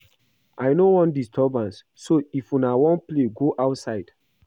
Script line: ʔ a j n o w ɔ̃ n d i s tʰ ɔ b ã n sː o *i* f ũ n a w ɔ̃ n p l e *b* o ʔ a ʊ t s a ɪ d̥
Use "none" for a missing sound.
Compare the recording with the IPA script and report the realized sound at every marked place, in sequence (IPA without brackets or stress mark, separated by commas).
i, ɡ